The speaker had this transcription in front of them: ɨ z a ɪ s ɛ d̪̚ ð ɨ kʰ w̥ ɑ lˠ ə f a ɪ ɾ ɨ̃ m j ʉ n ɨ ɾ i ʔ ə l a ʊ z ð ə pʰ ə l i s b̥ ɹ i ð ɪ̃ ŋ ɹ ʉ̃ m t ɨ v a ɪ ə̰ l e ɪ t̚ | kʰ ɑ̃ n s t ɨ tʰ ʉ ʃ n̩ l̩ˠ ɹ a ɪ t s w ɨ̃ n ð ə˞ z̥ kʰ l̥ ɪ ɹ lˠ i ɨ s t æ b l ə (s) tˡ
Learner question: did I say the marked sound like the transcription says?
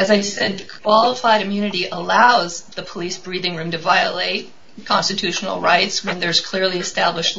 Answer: no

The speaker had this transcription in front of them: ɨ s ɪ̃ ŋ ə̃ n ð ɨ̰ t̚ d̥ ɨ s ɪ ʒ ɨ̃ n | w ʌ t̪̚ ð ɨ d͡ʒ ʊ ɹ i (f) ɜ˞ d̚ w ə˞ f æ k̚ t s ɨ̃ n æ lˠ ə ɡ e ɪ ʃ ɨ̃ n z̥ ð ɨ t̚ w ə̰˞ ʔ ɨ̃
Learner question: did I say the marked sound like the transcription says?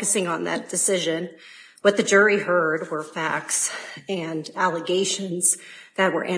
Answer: no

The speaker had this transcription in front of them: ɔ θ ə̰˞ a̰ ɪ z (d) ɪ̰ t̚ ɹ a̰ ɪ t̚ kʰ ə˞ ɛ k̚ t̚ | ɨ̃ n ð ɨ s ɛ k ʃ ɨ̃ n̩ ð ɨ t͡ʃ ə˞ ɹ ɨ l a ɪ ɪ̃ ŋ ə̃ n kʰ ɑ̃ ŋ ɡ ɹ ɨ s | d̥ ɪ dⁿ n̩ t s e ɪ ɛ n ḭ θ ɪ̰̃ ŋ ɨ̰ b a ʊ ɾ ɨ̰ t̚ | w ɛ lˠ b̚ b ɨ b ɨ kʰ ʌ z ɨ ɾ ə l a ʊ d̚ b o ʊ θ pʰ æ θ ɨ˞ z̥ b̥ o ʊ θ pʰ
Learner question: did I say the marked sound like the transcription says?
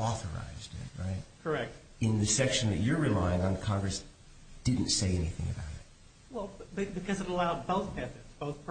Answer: yes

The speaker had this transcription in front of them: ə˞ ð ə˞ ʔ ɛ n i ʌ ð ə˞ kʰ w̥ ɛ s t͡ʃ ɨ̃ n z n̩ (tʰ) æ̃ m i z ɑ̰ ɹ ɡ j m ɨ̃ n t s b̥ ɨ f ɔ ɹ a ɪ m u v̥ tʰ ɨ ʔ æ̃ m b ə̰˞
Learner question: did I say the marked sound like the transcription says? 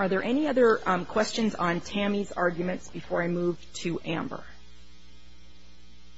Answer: yes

